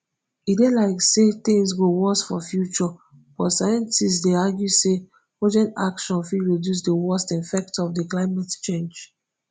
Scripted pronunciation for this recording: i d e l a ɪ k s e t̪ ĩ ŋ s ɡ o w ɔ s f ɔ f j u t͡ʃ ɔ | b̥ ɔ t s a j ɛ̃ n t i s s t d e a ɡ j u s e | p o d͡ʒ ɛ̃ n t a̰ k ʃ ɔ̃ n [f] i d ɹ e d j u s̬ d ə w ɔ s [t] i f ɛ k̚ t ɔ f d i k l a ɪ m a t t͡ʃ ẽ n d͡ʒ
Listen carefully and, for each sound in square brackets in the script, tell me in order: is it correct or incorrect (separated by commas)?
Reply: correct, correct